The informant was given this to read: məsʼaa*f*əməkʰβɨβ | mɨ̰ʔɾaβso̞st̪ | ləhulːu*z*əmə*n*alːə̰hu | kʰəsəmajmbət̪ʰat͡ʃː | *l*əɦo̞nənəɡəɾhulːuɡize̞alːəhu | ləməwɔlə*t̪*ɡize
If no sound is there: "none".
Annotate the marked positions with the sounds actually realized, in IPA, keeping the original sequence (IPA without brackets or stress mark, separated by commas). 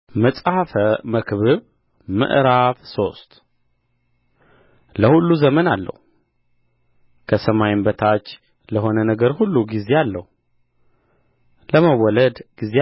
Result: f, z, n, l, d̪